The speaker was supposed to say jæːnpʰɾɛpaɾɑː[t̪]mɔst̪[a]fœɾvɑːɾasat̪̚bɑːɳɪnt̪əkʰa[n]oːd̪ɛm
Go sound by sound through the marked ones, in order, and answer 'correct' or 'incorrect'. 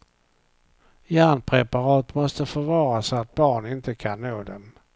correct, incorrect, incorrect

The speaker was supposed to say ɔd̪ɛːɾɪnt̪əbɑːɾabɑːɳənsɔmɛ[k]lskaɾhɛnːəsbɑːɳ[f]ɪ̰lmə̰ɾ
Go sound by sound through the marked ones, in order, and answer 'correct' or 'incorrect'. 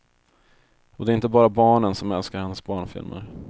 incorrect, correct

